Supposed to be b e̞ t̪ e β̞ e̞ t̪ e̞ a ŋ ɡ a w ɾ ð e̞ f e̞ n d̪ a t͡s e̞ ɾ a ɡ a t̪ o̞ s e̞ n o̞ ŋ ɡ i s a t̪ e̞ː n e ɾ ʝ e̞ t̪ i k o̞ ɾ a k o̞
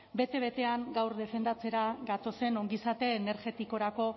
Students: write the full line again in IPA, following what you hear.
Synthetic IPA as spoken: b e̞ t̪ e β̞ e̞ t̪ e̞ a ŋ ɡ a w ɾ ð e̞ f e̞ n d̪ a t͡s e̞ ɾ a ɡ a t̪ o̞ s e̞ n o̞ ŋ ɡ i s a t̪ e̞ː n e ɾ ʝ e̞ t̪ i k o̞ ɾ a k o̞